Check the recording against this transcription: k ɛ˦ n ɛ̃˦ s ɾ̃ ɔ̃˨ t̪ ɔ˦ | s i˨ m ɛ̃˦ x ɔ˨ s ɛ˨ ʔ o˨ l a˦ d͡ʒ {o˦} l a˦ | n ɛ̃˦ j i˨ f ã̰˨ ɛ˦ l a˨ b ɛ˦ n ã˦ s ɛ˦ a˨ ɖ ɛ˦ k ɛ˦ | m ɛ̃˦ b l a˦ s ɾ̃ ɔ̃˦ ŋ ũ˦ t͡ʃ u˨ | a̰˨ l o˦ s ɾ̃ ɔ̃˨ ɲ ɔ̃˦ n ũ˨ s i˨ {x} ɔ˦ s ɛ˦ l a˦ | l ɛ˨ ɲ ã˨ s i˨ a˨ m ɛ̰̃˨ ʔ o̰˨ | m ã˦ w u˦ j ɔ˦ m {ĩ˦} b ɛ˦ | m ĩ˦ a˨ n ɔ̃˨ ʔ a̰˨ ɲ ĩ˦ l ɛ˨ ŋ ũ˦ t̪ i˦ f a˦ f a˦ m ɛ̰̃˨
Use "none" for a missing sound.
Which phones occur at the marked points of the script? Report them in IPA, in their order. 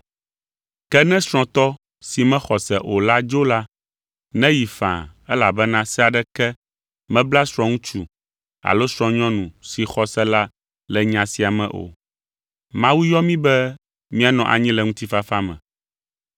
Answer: o˦, x, ĩ˦

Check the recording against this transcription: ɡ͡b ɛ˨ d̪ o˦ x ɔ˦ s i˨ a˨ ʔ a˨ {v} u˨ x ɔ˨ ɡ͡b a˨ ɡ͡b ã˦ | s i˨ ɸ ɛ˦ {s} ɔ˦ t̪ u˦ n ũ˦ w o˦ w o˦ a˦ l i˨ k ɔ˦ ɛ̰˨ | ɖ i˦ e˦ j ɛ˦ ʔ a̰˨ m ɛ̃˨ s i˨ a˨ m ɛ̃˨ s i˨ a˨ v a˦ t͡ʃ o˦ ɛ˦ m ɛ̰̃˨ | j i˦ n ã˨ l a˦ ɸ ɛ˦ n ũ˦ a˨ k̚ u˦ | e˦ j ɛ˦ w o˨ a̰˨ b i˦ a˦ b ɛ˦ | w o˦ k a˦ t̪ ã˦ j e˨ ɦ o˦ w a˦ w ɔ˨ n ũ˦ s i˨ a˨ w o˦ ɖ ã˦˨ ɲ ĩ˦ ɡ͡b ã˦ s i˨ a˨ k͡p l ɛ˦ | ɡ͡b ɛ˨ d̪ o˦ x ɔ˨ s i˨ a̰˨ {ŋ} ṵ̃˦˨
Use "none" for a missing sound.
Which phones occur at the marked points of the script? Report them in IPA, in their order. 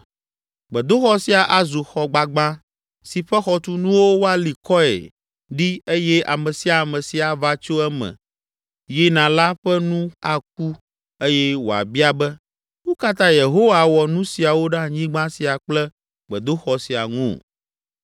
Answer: z, x, ŋ

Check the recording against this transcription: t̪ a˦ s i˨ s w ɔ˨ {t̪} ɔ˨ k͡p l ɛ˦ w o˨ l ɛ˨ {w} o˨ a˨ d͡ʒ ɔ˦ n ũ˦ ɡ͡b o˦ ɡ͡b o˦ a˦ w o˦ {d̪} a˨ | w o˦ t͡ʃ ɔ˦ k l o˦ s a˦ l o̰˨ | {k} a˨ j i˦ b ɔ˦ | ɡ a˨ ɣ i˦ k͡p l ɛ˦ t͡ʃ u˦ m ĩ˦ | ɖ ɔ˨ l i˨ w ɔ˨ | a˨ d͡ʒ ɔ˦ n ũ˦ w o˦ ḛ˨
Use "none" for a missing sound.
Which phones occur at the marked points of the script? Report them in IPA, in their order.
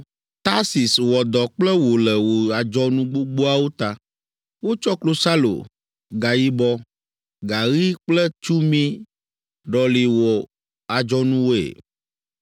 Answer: d̪, w, t̪, ɡ

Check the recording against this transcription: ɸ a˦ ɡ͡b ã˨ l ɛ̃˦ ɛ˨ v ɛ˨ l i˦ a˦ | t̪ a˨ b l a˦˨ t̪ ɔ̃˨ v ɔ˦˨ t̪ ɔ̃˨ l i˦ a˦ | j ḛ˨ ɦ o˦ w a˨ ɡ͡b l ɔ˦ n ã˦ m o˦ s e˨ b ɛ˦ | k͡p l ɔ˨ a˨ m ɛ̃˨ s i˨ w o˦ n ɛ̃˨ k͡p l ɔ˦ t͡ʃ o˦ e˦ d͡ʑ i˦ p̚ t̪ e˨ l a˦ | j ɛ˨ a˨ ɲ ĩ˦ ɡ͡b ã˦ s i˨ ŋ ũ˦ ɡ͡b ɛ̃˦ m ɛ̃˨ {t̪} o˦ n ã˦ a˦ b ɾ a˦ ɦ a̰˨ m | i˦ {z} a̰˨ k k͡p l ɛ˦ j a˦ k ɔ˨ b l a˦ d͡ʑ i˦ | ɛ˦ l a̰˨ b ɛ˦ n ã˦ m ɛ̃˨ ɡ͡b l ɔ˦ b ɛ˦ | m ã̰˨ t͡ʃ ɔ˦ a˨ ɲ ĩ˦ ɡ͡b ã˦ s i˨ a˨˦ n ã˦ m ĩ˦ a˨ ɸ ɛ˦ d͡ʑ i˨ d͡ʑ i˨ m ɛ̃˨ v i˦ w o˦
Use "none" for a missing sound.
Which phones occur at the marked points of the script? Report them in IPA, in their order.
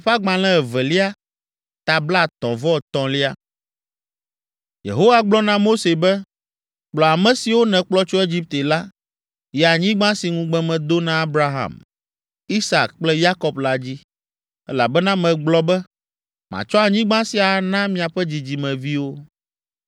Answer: d̪, s

